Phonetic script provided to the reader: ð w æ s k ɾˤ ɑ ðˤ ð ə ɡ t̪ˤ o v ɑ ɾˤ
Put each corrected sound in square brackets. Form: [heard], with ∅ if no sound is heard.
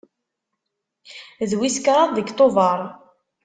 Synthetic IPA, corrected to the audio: ð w [i] s k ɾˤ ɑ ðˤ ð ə ɡ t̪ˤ o v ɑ ɾˤ